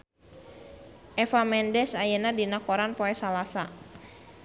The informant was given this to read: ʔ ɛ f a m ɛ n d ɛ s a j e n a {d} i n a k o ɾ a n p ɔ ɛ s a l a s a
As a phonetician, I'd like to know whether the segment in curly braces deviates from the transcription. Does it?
no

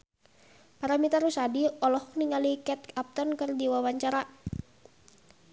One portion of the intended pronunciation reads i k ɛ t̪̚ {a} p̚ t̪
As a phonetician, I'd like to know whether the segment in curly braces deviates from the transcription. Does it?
no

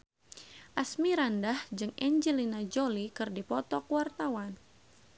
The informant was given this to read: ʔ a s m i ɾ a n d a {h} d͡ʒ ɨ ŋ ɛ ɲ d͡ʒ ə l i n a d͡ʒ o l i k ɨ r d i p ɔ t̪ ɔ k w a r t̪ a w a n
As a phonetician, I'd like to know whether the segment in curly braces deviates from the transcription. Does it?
no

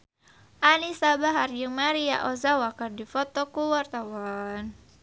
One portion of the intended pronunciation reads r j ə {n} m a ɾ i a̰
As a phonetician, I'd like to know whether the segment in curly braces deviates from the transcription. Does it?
yes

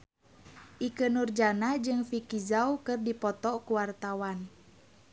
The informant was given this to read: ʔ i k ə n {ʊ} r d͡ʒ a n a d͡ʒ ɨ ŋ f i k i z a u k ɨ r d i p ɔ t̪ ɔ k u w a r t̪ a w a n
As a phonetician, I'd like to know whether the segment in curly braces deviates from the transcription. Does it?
yes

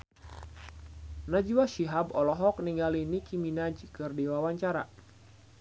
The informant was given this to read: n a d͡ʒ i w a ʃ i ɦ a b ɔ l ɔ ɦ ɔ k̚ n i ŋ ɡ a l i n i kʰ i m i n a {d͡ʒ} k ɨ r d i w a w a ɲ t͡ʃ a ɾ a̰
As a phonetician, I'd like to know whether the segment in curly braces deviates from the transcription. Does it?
no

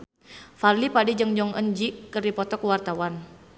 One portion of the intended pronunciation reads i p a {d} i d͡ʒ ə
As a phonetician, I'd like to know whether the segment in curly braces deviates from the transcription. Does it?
no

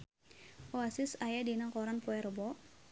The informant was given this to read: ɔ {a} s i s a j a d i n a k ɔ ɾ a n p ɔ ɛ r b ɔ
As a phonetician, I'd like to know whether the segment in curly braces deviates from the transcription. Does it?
no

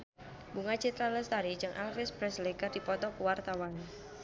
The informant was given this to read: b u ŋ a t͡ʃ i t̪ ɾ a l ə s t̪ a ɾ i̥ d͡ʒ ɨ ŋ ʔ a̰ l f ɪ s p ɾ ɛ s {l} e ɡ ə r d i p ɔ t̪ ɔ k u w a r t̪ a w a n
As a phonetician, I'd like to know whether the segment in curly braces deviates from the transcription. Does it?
no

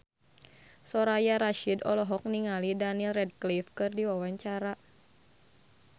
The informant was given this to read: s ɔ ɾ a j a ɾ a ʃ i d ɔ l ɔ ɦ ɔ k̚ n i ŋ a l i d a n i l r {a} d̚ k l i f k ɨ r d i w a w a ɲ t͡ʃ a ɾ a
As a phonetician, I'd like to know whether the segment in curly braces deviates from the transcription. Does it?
yes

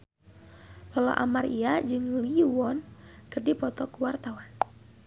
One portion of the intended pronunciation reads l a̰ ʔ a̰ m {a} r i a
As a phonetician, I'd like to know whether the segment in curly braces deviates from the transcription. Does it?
no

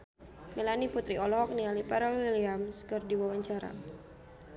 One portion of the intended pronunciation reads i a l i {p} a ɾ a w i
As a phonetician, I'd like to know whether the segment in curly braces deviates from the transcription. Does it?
no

